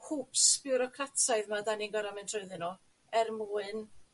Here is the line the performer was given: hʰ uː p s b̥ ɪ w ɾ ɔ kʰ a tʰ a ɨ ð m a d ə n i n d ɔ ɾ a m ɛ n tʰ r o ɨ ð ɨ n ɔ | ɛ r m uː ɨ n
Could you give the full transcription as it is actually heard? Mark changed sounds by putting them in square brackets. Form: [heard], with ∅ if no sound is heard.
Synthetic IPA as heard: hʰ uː p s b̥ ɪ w ɾ ɔ kʰ a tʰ a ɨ ð m a d [a] n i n [ɡ] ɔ ɾ a m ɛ n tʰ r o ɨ ð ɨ n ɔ | ɛ r m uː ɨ n